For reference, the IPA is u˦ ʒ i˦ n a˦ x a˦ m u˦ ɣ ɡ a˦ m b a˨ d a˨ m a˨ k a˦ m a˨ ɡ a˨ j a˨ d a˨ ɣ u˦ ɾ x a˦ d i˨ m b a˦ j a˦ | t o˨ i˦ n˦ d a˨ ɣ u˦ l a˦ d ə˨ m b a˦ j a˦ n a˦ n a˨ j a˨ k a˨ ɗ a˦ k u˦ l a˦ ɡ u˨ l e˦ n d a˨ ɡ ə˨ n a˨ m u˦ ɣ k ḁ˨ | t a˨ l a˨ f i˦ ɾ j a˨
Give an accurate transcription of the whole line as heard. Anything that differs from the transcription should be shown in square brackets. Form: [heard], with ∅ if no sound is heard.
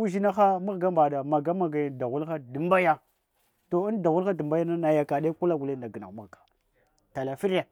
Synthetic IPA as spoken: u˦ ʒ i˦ n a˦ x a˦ m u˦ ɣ ɡ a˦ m b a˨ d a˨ m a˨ [ɡ] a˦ m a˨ ɡ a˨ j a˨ d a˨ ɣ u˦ [l] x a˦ d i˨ m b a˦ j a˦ | t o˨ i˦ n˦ d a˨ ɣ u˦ l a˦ d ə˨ m b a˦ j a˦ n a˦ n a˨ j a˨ k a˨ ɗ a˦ k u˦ l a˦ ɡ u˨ l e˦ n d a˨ ɡ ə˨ n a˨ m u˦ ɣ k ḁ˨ | t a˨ l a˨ f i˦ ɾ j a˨